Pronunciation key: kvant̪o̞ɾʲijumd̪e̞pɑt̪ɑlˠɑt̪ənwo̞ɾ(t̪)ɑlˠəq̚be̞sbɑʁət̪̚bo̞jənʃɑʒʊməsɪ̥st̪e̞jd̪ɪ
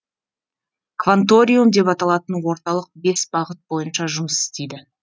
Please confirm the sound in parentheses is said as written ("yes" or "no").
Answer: yes